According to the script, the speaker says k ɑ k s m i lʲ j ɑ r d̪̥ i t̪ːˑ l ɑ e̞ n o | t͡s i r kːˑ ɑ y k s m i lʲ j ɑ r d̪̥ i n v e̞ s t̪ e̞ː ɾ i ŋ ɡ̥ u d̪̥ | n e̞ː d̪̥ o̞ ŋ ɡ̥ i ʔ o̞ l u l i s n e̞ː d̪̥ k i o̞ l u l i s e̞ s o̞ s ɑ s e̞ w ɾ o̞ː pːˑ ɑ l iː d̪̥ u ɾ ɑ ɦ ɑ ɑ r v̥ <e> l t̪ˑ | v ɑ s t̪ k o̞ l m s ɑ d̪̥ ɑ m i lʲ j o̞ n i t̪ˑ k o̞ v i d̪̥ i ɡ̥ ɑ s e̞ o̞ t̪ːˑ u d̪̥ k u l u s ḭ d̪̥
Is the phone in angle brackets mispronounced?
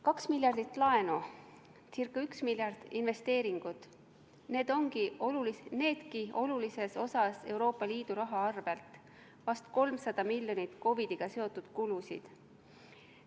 no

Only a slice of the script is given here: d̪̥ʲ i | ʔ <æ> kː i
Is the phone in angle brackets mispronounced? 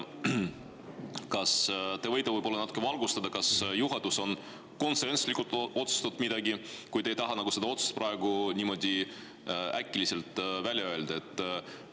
no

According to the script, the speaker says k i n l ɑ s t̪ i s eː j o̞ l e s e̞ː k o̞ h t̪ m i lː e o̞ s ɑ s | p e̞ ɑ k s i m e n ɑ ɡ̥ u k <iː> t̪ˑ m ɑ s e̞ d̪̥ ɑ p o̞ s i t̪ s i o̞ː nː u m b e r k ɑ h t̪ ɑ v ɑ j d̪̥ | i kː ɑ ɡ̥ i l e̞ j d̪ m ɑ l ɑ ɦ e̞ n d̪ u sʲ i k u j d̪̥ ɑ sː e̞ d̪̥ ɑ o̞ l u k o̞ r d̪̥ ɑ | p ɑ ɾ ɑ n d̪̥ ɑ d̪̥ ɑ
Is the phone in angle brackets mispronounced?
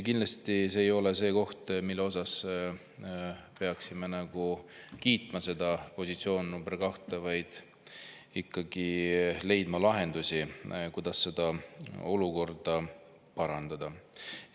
no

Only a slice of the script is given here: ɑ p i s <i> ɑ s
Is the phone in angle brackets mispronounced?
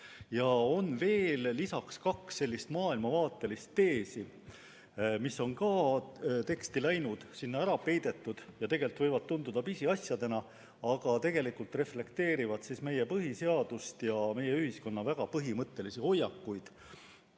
no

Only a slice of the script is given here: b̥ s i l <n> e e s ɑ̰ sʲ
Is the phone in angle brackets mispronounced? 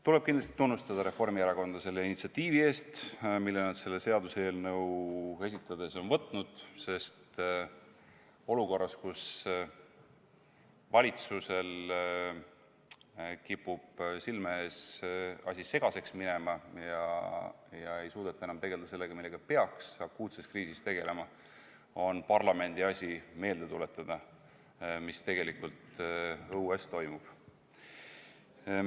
yes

